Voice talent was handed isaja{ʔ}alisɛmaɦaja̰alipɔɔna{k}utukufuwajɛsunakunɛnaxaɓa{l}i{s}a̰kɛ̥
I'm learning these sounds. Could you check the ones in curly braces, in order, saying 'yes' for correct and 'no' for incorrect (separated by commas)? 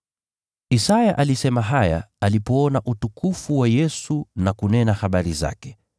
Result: yes, no, no, no